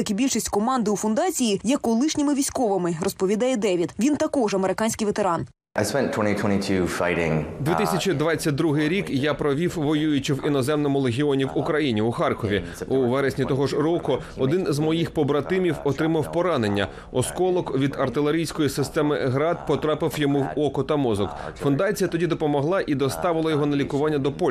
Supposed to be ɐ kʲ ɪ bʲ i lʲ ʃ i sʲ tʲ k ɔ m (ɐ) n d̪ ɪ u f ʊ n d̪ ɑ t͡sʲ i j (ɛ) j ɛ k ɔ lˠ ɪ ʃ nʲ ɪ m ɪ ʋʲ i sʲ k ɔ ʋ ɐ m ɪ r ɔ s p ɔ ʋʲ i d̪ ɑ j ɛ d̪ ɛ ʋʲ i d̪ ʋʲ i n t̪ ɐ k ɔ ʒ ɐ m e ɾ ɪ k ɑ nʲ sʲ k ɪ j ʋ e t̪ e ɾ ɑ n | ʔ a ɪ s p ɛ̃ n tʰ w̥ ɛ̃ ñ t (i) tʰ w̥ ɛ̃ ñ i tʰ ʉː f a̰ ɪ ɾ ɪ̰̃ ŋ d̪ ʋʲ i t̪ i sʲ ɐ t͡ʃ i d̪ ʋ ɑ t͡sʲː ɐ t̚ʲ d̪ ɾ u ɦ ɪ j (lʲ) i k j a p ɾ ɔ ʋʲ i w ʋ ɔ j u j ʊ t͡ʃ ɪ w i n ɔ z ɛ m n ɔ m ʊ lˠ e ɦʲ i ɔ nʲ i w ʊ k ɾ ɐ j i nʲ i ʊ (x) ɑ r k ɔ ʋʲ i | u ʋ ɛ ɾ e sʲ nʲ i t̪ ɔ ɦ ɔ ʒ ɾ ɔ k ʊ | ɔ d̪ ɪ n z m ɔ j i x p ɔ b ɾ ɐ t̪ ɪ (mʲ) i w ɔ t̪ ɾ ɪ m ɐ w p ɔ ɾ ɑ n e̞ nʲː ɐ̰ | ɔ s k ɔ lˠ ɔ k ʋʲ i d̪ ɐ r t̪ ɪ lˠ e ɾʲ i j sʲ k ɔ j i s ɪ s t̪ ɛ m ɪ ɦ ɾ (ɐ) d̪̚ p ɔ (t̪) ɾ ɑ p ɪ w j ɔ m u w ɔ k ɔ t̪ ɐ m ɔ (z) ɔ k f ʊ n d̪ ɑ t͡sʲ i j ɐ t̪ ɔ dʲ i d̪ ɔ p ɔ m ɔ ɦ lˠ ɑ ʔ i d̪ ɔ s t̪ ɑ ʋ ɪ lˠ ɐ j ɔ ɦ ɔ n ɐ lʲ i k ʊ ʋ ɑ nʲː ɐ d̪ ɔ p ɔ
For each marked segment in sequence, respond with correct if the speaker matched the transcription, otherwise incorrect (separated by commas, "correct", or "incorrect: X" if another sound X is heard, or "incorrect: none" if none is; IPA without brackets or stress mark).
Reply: incorrect: ɑ, incorrect: i, correct, incorrect: ɾʲ, correct, correct, incorrect: ɑ, correct, correct